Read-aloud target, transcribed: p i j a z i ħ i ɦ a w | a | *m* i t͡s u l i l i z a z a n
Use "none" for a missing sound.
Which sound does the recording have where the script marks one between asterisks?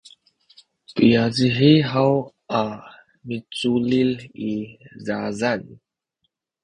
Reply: m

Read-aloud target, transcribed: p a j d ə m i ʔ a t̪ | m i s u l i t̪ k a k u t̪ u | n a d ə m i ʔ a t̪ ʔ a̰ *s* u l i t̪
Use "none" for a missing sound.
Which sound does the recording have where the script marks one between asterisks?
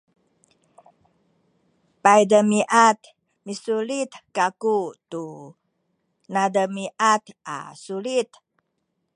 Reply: s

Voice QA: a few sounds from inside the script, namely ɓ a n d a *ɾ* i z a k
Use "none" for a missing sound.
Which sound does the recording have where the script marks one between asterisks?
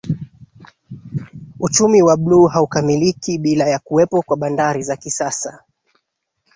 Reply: ɾ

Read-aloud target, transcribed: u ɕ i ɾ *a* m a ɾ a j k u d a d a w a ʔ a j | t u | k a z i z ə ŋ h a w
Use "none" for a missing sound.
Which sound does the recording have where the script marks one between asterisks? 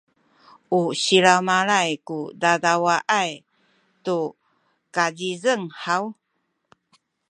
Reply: a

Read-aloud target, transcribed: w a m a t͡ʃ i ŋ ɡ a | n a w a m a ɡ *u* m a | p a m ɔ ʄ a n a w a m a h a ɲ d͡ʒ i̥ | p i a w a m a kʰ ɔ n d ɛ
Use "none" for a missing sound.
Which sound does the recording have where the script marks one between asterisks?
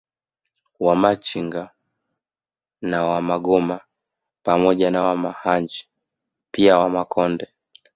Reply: ɔ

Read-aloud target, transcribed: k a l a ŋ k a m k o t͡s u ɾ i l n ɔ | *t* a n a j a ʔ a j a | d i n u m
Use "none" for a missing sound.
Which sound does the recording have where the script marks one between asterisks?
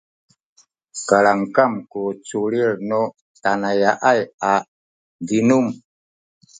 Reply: t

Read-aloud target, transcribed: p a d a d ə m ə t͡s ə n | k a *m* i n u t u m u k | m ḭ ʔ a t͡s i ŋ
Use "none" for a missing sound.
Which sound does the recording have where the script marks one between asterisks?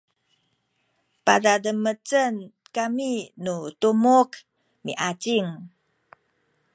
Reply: m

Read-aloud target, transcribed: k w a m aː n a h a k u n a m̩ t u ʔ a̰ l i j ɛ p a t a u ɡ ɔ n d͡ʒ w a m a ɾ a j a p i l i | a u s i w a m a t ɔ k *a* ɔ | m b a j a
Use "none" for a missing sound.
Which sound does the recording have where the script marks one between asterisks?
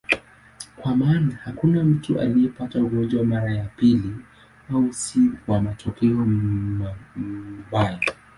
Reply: ɛ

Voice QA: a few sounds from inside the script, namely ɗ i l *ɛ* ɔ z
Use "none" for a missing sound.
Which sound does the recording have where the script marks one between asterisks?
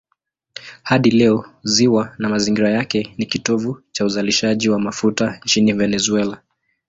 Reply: ɛ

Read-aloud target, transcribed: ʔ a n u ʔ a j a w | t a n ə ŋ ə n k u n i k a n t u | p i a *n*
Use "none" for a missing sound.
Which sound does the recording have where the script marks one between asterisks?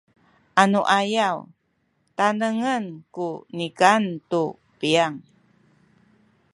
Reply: ŋ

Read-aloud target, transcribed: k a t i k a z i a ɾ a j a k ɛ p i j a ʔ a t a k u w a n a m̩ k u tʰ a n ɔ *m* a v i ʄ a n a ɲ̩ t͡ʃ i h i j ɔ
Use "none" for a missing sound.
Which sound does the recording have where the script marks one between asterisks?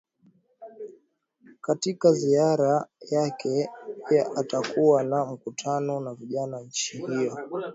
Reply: n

